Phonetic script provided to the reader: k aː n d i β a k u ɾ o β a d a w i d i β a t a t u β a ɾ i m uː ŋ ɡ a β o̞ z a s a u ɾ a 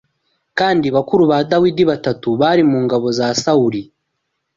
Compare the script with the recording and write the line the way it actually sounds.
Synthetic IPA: k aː n d i β a k u ɾ u β a d a w i d i β a t a t u β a ɾ i m uː ŋ ɡ a β o̞ z a s a u ɾ i